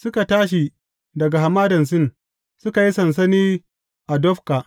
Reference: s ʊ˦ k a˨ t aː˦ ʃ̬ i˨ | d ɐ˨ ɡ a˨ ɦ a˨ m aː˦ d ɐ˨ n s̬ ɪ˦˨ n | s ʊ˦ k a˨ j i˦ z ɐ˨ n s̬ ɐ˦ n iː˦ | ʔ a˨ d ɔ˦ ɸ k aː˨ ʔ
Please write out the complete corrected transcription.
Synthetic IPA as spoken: s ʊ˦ k a˨ t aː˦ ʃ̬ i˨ | d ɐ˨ ɡ a˨ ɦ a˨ m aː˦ d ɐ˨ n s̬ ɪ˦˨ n | s ʊ˦ k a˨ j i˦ s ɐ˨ n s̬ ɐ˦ n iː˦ | ʔ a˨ d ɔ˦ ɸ k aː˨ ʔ